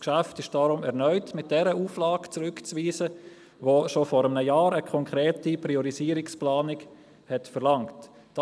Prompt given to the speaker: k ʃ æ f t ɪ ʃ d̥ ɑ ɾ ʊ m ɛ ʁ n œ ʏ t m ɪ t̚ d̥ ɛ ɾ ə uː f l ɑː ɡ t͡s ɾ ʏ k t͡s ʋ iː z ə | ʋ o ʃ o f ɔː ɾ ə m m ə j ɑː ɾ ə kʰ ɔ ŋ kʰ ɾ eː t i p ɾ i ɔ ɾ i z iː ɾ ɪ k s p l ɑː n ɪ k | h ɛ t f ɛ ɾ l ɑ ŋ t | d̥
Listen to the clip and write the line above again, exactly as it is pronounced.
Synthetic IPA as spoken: k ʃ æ f t ɪ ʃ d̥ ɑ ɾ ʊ m ɛ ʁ n œ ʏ t m ɪ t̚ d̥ ɛ ɾ ə uː f l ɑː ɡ t͡s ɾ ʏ k t͡s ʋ iː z ə | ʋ o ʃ o f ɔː ɾ ə m n ə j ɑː ɾ ə kʰ ɔ ŋ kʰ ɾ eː t i p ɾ i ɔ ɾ i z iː ɾ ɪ k s p l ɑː n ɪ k | h ɛ t f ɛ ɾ l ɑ ŋ t | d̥